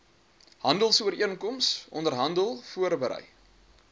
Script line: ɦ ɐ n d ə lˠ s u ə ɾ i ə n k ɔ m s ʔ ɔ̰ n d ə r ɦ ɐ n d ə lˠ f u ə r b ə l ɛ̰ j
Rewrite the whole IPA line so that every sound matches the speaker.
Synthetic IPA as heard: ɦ ɐ n d ə lˠ s u ə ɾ i ə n k ɔ m s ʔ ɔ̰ n d ə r ɦ ɐ n d ə lˠ f u ə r b ə ɾ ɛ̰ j